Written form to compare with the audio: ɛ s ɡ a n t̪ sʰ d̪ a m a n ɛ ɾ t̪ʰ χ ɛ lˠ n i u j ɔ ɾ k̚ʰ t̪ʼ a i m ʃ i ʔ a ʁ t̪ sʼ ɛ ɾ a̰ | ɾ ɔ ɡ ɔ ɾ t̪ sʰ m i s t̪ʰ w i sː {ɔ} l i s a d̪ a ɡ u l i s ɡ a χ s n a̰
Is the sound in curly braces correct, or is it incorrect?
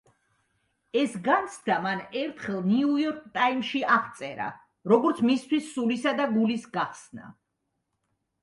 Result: incorrect